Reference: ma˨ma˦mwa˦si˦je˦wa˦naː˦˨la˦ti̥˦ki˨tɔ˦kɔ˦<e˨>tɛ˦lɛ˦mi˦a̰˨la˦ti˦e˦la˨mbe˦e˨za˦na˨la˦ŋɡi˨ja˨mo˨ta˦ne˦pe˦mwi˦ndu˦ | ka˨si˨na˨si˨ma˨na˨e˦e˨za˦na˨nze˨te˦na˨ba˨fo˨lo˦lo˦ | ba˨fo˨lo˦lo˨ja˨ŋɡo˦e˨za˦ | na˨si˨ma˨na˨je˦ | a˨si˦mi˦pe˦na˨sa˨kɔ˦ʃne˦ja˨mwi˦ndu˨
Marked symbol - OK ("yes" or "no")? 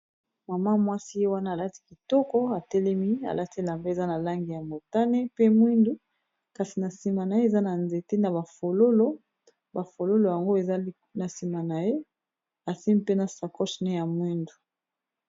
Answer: no